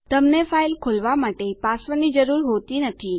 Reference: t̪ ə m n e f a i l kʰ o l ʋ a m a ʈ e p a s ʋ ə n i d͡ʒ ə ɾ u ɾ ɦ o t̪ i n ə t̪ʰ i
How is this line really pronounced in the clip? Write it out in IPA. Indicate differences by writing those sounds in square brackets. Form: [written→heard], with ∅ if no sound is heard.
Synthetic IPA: t̪ ə m n e f a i l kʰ o l ʋ a m a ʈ e p a s ʋ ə n i d͡ʒ ə ɾ u ɾ ɦ o t̪ i n ə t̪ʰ i

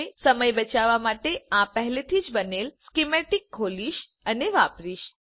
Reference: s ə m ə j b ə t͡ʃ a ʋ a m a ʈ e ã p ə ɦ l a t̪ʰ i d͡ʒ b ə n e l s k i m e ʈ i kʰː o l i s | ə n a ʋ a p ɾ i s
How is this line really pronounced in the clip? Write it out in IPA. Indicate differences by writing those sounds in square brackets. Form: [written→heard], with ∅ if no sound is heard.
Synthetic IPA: s ə m ə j b ə t͡ʃ a ʋ a m a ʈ e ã p ə ɦ l [a→e] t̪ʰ i d͡ʒ b ə n e l s k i m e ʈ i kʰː o l i [s→ʃ] | ə n [a→e] ʋ a p ɾ i [s→ʃ]

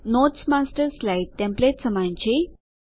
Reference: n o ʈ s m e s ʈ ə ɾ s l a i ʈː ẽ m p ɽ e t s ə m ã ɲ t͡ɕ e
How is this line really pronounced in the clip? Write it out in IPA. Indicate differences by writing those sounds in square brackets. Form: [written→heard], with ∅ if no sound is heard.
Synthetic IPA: n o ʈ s m [e→a] s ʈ ə ɾ s l a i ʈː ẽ m p [ɽ→l] e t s ə m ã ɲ t͡ɕ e

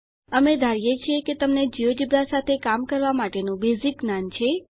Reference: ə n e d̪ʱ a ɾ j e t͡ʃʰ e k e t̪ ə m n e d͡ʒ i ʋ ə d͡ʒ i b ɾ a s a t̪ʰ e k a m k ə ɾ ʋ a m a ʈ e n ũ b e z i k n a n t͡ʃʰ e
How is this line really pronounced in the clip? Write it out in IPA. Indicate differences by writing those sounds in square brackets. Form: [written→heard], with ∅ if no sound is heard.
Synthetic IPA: ə [n→m] e d̪ʱ a ɾ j e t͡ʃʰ e k e t̪ ə m n e d͡ʒ i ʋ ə d͡ʒ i b ɾ a s a t̪ʰ e k a m k ə ɾ ʋ a m a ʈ e n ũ b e z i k n a n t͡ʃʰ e

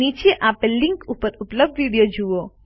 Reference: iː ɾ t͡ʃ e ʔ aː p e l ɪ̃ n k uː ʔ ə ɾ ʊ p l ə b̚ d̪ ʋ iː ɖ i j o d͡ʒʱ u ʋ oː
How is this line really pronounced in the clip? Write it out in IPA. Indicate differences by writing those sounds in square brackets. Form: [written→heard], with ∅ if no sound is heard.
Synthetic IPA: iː [ɾ→∅] t͡ʃ e ʔ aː p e l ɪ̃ [n→ŋ] k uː [ʔ→p] ə ɾ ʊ p l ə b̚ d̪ ʋ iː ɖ i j o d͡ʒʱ u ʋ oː

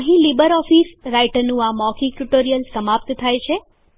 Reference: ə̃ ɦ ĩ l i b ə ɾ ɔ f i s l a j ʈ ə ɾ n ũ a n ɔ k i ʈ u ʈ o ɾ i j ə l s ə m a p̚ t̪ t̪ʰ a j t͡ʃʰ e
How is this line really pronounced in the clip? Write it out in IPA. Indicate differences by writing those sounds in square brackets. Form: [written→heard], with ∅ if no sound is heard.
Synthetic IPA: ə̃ ɦ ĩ l i b ə ɾ ɔ f i s [l→ɾ] a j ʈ ə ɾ n ũ a [n→m] ɔ k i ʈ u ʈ o ɾ i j ə l s ə m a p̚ t̪ t̪ʰ a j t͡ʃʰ e

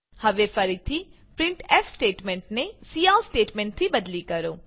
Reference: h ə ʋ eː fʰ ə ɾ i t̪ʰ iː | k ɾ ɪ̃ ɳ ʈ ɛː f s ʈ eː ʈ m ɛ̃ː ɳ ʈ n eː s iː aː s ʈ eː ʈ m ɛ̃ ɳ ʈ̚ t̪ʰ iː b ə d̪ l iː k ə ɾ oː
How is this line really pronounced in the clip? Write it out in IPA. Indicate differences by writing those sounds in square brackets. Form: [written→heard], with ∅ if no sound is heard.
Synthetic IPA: h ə ʋ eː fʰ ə ɾ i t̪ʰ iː | [k→p] ɾ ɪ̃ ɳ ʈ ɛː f s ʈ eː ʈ m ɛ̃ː ɳ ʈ n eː s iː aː s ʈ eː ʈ m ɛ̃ ɳ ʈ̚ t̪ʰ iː b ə d̪ l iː k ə ɾ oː

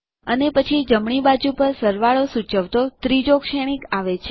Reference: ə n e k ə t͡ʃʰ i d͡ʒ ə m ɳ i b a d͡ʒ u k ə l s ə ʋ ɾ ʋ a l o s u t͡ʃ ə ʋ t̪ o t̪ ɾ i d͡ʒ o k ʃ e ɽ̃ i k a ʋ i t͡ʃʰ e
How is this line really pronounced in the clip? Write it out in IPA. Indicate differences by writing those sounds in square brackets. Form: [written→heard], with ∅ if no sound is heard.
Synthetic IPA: ə n e [k→p] ə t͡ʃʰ i d͡ʒ ə m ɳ i b a d͡ʒ u [k→p] ə [l→ɾ] s ə [ʋ→∅] ɾ ʋ a [l→ɭ] o s u t͡ʃ ə ʋ t̪ o t̪ ɾ i d͡ʒ o k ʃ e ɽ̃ i k a ʋ [i→e] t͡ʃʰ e

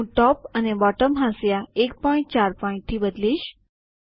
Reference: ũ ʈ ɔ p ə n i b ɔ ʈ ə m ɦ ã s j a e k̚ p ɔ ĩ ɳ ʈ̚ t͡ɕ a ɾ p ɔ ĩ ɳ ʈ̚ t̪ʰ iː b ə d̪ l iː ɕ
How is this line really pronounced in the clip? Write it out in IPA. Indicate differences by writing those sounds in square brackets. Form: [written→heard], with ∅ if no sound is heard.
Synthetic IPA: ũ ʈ ɔ p ə n [i→e] b ɔ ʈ ə m ɦ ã s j a e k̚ p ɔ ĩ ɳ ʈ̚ t͡ɕ a ɾ p ɔ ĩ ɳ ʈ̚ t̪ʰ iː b ə d̪ l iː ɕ

